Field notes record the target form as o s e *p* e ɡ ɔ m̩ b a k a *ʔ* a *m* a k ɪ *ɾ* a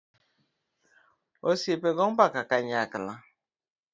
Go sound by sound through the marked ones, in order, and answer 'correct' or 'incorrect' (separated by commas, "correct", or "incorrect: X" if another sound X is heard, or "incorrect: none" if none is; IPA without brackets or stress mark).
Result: correct, incorrect: k, incorrect: ɲ, incorrect: l